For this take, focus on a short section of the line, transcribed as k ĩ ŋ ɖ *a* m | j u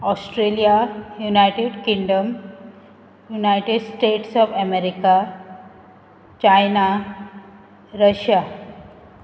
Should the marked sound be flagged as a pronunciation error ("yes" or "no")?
yes